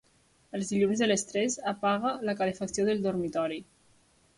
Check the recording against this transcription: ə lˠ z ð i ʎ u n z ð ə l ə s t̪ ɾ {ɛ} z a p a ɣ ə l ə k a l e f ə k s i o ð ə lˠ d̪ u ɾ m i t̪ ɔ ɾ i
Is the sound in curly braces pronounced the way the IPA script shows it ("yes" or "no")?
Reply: yes